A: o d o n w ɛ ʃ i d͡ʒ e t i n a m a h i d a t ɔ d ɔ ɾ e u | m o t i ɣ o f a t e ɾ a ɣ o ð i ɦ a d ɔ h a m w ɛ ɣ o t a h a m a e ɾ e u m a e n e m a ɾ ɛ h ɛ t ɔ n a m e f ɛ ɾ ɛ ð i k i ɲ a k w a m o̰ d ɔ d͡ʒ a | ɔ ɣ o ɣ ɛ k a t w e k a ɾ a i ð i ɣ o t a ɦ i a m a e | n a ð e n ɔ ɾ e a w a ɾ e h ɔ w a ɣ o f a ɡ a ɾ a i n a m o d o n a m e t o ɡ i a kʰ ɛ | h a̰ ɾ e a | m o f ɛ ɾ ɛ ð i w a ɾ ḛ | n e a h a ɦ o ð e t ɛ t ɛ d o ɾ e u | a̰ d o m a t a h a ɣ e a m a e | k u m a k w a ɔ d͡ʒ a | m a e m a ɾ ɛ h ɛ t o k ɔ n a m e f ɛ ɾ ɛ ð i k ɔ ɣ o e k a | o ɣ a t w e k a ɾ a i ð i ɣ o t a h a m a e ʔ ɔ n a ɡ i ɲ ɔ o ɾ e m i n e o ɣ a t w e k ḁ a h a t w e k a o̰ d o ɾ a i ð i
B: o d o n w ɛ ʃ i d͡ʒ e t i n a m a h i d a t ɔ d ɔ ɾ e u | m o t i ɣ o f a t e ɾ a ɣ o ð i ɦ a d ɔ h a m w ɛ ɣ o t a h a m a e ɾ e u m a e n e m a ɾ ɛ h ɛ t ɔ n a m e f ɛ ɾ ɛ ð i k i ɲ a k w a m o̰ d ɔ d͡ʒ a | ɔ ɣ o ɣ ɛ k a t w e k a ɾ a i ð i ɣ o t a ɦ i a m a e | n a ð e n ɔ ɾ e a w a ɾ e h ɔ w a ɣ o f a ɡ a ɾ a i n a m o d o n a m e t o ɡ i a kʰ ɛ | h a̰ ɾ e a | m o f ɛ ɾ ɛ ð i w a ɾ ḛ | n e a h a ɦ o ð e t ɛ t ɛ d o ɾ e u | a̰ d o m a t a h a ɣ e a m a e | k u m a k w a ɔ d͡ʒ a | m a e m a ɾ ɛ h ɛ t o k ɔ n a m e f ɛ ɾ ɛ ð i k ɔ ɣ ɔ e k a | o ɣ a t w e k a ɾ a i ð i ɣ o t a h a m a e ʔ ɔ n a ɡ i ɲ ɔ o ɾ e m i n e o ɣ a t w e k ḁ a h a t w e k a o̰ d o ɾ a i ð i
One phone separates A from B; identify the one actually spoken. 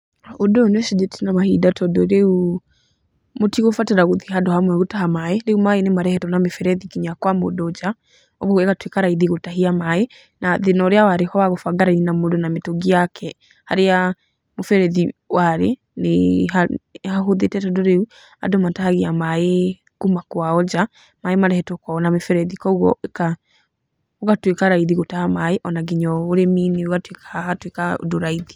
B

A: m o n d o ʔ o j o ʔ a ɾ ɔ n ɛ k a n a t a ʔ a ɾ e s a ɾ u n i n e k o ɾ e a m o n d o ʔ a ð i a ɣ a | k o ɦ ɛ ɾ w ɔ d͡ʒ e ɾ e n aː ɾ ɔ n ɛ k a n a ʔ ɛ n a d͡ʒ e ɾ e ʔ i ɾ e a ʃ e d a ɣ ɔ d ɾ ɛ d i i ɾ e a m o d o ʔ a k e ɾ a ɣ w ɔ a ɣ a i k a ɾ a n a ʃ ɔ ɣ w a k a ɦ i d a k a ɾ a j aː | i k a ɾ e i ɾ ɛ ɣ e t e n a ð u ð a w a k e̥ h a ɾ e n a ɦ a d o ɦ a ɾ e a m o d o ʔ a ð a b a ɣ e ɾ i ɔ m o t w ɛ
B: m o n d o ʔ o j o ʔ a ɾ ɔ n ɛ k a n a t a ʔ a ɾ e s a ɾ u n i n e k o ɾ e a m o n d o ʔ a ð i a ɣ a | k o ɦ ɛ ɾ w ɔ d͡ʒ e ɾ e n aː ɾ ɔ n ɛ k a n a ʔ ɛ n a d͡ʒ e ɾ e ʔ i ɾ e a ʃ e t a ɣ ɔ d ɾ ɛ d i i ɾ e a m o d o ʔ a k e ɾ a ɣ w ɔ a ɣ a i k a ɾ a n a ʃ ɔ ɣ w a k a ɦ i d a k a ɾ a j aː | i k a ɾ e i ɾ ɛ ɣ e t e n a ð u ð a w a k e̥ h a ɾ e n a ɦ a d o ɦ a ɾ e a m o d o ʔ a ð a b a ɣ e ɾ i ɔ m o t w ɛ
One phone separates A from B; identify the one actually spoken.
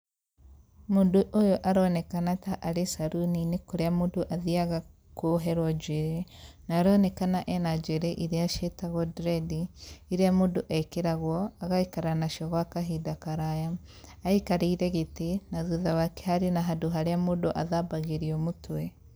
B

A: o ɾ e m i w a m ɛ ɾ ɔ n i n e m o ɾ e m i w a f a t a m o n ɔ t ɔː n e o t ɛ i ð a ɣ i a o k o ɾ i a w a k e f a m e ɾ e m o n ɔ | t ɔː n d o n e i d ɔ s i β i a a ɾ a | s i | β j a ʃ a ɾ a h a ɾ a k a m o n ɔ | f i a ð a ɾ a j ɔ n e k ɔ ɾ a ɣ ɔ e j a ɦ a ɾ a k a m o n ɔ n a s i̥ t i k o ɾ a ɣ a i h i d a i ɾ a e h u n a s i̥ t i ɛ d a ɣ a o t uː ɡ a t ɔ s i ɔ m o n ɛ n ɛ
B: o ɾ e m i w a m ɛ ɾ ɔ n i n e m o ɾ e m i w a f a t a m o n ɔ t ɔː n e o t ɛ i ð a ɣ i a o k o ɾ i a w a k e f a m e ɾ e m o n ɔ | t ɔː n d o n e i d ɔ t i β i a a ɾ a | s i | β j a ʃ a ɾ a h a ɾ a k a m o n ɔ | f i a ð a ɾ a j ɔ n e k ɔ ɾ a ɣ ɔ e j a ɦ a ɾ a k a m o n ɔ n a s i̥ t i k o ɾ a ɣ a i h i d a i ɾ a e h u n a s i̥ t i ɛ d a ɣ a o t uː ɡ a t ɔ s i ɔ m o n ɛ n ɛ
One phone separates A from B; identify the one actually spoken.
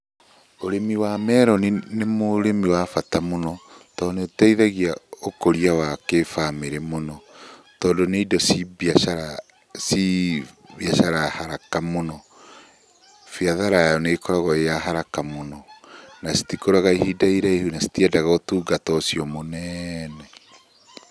A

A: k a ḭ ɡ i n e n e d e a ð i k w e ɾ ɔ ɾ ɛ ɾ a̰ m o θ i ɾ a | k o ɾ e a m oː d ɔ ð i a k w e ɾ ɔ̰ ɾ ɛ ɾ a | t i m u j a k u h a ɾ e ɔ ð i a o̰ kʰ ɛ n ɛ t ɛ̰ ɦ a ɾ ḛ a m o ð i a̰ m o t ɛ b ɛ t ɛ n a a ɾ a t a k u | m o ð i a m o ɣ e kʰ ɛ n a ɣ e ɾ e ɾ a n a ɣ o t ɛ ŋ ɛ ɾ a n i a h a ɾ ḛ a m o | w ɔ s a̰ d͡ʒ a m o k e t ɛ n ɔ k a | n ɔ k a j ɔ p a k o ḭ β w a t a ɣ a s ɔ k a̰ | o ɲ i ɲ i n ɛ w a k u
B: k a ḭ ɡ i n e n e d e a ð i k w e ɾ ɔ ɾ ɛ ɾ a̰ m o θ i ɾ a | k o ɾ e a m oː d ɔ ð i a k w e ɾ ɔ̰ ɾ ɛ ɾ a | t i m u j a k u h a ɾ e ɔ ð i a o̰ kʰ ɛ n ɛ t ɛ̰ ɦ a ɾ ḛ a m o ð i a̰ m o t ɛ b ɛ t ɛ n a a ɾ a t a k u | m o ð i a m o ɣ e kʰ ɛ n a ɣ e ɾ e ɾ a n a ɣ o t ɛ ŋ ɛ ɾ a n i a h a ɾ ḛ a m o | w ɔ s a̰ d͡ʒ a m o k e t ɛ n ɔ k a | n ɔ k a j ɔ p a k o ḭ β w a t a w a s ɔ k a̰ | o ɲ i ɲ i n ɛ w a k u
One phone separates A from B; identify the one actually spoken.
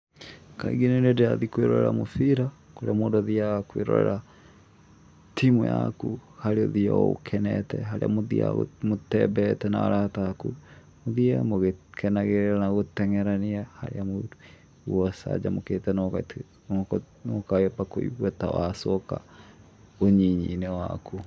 B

